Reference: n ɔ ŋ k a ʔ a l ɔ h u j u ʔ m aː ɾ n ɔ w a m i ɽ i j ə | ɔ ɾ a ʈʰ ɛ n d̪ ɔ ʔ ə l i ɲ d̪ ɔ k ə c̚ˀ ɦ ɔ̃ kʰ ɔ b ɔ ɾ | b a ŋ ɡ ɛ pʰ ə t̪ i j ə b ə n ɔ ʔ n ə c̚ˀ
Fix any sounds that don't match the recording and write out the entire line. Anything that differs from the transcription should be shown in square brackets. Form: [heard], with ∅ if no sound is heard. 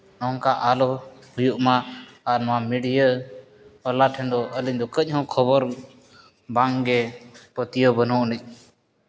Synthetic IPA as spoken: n ɔ ŋ k a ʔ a l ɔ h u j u ʔ m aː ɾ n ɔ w a m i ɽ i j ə | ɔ [l] a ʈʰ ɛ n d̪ ɔ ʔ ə l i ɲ d̪ ɔ k ə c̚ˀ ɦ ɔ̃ kʰ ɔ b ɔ ɾ | b a ŋ ɡ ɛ [p] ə t̪ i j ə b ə n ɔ ʔ n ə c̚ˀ